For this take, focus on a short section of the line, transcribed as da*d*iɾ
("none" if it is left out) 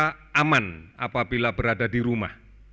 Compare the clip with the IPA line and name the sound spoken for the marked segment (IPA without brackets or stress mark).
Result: d